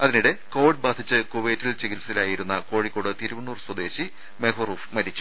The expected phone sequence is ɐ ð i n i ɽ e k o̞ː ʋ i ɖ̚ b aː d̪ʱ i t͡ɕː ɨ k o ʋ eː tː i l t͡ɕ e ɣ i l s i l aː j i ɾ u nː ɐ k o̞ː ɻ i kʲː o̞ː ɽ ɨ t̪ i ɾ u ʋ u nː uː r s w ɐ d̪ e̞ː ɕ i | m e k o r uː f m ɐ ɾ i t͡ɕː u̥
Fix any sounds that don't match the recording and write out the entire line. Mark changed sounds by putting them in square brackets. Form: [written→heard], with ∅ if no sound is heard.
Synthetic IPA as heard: ɐ ð i n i ɽ e k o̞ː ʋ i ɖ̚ b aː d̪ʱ i t͡ɕː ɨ k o ʋ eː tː i l t͡ɕ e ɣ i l s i l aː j i ɾ u nː ɐ k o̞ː ɻ i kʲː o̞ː ɽ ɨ t̪ i ɾ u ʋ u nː uː r s w ɐ d̪ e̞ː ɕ i | m e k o r uː f m ɐ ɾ i t͡ɕː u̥